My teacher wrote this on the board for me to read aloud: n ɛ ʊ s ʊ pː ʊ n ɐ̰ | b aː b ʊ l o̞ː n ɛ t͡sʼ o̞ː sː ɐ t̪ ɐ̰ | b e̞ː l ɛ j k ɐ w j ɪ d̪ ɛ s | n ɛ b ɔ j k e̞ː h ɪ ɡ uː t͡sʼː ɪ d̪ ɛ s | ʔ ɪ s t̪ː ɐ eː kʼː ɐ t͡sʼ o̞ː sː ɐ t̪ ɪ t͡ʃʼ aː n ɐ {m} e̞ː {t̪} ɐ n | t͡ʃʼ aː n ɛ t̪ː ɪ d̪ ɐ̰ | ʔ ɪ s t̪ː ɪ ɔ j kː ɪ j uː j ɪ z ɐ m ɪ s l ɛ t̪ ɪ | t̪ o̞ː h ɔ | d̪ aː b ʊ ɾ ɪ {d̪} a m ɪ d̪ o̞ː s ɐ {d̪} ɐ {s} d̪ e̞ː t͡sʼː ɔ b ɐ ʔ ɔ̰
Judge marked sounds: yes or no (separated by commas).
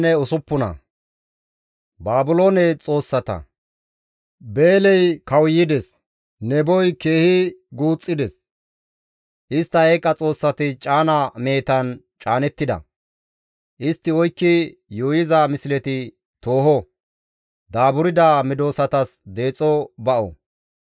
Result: yes, yes, yes, no, yes